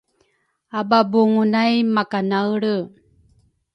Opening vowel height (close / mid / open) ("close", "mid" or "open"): open